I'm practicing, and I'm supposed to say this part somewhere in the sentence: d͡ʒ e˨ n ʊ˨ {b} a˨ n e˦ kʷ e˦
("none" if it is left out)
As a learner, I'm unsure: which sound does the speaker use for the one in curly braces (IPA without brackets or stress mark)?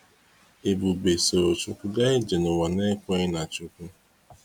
w